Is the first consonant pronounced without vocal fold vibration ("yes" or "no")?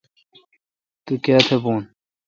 yes